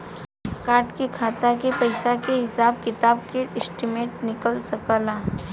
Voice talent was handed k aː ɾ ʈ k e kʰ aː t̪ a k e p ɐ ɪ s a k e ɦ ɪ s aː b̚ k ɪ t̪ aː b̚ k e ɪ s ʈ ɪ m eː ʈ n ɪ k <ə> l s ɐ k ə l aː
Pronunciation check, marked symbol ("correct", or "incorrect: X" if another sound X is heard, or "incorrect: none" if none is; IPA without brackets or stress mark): correct